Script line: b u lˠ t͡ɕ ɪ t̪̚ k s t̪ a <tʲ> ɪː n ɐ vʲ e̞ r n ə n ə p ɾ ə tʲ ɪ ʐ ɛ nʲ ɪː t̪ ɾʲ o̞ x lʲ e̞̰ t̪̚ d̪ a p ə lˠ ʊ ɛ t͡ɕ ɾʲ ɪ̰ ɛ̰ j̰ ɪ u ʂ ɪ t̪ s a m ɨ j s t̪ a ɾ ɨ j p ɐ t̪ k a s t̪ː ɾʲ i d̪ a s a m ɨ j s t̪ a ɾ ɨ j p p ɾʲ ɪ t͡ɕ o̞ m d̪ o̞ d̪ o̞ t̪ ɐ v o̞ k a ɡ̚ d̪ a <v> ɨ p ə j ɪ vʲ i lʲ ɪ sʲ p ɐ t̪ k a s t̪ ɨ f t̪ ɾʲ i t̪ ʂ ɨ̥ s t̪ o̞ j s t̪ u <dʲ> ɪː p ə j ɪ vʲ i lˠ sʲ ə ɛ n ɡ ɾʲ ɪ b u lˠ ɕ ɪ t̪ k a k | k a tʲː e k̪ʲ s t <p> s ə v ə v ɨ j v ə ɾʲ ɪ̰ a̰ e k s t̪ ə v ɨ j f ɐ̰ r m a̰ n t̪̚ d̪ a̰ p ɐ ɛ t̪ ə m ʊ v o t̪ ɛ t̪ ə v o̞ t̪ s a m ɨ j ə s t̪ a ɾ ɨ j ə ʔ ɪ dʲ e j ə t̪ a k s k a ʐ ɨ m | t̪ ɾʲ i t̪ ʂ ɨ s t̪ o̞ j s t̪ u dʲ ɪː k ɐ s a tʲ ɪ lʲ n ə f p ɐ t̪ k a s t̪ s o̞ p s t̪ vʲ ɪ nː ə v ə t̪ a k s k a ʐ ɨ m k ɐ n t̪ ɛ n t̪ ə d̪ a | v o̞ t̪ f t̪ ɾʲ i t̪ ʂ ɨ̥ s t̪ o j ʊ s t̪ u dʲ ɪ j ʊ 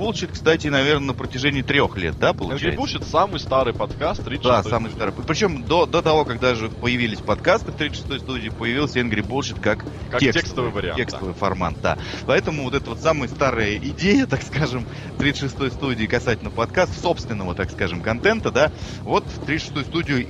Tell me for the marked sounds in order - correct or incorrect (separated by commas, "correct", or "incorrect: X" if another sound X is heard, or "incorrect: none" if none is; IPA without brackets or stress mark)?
correct, incorrect: ʐ, correct, incorrect: k